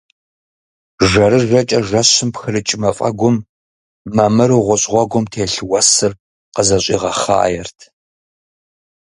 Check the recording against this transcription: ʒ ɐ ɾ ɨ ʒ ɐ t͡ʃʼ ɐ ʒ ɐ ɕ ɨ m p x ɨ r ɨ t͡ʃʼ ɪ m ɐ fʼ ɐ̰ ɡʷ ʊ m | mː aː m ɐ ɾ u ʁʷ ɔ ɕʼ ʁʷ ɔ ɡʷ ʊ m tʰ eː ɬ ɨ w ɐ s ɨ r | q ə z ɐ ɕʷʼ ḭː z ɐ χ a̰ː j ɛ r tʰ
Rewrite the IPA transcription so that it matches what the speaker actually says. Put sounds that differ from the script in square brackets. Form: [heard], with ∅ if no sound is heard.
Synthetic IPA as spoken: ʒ ɐ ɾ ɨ ʒ ɐ t͡ʃʼ ɐ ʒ ɐ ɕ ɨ m p x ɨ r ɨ t͡ʃʼ ɪ m ɐ fʼ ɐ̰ ɡʷ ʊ m | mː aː m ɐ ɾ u ʁʷ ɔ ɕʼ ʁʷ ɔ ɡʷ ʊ m tʰ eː ɬ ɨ w ɐ s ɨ r | q ə z ɐ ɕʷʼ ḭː [ʁ] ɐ χ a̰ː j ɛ r tʰ